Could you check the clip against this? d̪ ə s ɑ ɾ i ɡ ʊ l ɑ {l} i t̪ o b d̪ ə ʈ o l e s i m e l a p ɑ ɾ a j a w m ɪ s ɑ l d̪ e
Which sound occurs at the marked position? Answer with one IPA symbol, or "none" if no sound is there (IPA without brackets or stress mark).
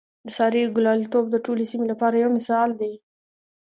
l